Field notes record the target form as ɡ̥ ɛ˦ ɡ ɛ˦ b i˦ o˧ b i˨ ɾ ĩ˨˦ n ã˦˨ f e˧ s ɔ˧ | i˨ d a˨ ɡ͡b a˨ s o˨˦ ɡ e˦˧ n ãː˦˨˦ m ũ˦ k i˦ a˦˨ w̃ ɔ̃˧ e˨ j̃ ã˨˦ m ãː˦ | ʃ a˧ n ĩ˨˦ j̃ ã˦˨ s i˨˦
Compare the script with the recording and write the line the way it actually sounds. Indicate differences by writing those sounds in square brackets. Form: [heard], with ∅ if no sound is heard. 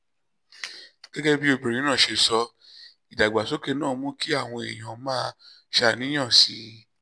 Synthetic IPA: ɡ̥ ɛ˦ ɡ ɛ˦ b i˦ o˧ b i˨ ɾ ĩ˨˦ n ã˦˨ [ʃ] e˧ s ɔ˧ | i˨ d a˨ ɡ͡b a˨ s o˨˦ [k] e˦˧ n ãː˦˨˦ m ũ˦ k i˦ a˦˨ w̃ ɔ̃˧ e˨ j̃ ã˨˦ m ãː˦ | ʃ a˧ n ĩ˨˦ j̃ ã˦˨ s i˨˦